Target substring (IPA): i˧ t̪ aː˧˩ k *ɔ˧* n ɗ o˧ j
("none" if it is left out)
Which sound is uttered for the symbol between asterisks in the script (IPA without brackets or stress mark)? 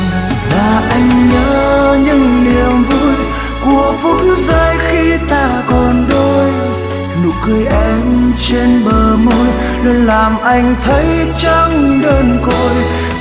ɔ˨˩